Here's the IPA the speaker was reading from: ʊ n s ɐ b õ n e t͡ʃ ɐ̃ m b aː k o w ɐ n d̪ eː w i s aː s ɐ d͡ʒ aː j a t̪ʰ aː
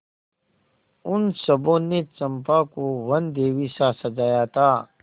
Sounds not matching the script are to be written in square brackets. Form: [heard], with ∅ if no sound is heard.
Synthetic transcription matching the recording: ʊ n s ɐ b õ n e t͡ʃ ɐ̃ m [p] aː k o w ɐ n d̪ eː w i s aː s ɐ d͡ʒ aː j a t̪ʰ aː